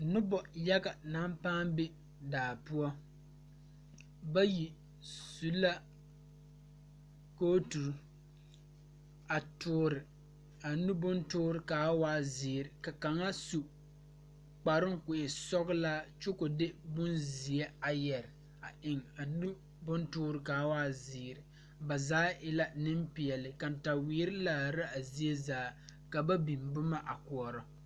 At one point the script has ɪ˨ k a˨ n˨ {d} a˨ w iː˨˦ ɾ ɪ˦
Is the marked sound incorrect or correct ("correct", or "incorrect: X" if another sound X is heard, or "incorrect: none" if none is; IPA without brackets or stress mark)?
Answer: incorrect: t